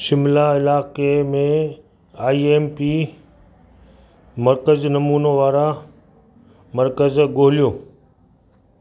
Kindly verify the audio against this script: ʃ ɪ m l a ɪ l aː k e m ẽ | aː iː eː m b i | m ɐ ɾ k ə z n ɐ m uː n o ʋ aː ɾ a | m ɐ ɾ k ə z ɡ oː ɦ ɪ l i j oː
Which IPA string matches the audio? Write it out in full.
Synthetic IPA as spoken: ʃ ɪ m l a ɪ l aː k e m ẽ | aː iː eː m p i | m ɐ ɾ k ə z n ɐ m uː n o ʋ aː ɾ a | m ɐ ɾ k ə z ɡ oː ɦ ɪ l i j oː